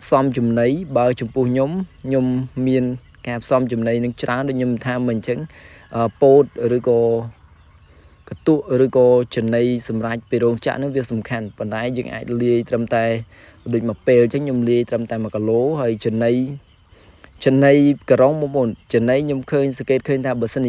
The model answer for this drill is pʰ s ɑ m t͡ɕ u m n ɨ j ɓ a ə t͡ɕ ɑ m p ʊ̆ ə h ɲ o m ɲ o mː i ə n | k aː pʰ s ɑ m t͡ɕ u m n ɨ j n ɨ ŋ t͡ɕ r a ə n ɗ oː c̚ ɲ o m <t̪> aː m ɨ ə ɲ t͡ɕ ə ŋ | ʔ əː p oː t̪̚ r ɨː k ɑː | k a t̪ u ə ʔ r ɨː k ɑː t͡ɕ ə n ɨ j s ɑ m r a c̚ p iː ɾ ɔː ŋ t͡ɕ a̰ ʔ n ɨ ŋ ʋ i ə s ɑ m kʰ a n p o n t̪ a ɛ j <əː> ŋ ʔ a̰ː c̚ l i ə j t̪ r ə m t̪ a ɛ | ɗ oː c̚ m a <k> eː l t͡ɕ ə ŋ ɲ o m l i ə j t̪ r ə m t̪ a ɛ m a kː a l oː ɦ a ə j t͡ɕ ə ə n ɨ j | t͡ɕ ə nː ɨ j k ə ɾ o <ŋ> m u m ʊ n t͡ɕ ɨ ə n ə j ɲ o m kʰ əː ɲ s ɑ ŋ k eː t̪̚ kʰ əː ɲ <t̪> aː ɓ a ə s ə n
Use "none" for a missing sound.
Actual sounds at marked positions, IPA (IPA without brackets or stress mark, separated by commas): t̪ʰ, əː, p, ŋ, t̪ʰ